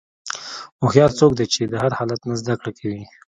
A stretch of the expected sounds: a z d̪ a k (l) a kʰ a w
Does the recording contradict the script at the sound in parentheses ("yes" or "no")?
yes